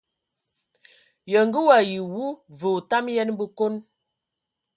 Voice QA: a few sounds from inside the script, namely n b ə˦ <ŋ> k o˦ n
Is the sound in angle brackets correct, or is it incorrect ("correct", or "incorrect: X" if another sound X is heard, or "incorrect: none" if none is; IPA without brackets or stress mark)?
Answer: incorrect: none